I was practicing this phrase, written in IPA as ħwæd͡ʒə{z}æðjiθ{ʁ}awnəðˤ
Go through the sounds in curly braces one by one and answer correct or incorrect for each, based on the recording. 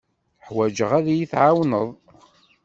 incorrect: ʁ, incorrect: ʕ

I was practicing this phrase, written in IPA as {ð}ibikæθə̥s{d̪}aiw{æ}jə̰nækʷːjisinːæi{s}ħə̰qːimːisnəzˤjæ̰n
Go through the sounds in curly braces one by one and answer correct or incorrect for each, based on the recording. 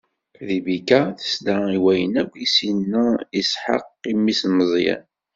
correct, correct, correct, correct

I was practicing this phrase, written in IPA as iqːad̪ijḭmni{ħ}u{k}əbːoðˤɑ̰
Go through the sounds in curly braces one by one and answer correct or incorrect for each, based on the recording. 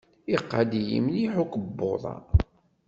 correct, correct

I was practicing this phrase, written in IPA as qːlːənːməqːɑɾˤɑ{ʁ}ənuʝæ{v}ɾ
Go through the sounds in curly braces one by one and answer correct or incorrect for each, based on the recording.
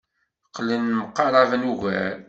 incorrect: v, incorrect: none

